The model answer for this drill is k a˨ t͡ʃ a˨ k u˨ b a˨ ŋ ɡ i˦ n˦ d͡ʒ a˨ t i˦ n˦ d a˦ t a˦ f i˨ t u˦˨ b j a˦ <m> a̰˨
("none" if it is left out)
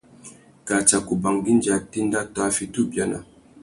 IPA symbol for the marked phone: n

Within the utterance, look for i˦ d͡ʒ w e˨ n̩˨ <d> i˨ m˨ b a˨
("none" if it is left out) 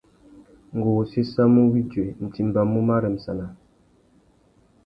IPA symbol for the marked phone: t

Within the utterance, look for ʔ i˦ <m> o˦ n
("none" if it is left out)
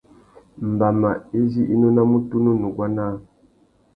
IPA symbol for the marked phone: n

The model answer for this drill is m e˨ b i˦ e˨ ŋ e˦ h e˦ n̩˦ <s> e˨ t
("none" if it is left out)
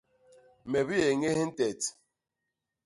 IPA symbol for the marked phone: t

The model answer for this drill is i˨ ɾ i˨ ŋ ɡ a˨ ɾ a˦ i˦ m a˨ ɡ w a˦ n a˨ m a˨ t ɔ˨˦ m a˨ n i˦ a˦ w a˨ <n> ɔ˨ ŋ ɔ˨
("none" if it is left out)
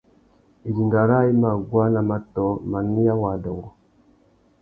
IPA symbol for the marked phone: d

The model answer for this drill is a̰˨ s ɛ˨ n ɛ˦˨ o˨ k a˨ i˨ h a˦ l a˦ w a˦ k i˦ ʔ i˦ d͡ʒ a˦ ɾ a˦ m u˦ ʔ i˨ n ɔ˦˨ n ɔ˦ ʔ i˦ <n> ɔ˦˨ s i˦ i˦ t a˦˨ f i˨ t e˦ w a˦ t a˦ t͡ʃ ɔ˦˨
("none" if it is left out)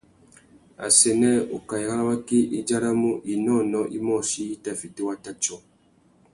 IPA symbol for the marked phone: m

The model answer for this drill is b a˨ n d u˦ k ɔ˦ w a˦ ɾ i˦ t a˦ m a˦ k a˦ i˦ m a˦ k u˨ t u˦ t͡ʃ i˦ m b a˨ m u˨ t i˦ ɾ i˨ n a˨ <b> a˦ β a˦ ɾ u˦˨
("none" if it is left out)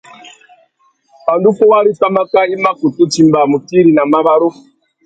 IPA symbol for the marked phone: m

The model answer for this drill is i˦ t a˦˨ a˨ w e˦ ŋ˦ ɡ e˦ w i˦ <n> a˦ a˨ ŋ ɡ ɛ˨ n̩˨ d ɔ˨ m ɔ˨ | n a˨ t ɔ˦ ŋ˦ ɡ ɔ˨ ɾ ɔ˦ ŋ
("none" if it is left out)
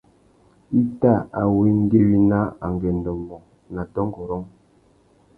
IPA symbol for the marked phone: n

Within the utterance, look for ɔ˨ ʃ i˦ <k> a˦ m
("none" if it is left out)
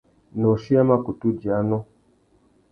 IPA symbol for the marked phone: none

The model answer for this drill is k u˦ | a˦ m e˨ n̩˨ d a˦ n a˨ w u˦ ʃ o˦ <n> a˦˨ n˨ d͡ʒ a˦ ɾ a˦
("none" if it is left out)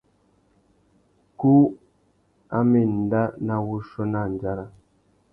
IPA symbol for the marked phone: n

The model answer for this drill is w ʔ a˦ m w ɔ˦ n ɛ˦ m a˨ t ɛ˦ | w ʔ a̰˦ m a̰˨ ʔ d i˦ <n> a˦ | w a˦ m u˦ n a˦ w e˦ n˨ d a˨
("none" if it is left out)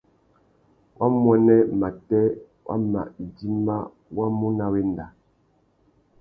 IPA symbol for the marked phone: m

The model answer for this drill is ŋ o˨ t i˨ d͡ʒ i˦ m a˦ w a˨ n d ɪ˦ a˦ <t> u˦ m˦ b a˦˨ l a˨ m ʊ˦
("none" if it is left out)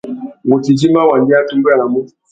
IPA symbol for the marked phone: t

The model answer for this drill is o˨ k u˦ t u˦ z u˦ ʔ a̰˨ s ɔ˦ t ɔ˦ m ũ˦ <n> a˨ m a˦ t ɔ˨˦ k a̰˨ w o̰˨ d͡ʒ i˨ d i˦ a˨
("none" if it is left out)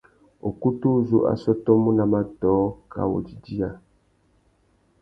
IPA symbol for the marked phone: n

